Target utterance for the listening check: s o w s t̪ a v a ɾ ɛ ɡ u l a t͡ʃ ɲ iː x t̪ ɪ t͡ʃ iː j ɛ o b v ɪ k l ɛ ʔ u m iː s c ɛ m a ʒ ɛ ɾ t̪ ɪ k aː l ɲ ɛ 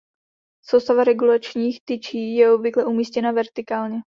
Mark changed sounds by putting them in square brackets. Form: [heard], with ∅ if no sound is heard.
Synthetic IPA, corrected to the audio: s o w s t̪ a v a ɾ ɛ ɡ u l a t͡ʃ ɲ iː x t̪ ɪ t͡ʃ iː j ɛ o b v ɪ k l ɛ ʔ u m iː s c ɛ [n] a [v] ɛ ɾ t̪ ɪ k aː l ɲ ɛ